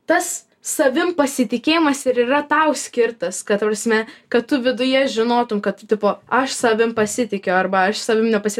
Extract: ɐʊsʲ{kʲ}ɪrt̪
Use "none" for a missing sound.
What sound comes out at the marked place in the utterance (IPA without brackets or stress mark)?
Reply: kʲ